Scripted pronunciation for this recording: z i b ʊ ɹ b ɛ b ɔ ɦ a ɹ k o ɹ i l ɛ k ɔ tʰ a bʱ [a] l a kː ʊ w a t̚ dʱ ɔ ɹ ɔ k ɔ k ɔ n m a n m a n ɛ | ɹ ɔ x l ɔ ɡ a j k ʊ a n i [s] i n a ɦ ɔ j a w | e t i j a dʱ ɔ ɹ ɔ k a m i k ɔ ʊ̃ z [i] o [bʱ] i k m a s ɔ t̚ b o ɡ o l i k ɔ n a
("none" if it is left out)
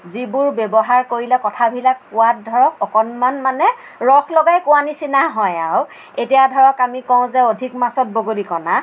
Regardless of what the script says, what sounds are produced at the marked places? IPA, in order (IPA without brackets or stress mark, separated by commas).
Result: i, s, ɛ, dʱ